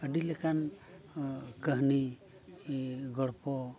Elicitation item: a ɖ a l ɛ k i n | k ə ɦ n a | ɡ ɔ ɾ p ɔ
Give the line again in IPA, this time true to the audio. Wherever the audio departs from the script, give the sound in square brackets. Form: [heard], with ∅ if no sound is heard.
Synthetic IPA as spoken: [ə] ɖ [i] l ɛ k [a] n | k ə ɦ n [i] | ɡ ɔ [ɽ] p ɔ